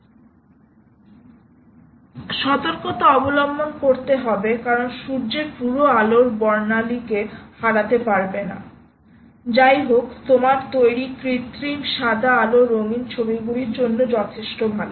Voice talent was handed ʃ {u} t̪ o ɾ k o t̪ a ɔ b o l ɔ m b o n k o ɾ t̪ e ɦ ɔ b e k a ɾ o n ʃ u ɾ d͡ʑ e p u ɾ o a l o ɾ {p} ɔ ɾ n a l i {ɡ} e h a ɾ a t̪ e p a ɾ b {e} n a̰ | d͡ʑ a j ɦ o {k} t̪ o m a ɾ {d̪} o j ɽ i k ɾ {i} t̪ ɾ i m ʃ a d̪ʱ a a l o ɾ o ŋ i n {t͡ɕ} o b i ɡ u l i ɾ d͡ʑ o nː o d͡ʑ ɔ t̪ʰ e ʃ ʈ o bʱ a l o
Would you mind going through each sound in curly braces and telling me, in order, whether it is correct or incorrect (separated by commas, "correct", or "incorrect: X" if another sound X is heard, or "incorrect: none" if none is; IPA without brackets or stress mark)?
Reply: incorrect: ɔ, incorrect: b, incorrect: k, correct, correct, incorrect: t̪, correct, incorrect: t͡ɕʰ